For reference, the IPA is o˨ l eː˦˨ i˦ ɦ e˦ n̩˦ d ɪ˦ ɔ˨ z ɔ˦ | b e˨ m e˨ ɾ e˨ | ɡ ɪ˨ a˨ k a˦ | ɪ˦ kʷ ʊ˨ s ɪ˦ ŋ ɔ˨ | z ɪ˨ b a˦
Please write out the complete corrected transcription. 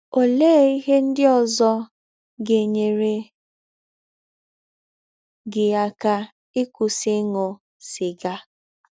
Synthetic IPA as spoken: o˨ l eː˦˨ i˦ ɦ e˦ n̩˦ d ɪ˦ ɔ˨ z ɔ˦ | ɡ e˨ ɲ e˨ ɾ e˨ | ɡ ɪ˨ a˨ k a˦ | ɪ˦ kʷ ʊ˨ s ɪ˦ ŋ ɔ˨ | s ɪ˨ ɡ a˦